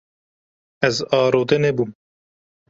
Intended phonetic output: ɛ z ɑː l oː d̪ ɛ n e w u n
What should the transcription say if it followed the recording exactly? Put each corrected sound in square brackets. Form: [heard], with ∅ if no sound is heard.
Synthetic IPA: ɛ z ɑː [ɾ] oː d̪ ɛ n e [b] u [m]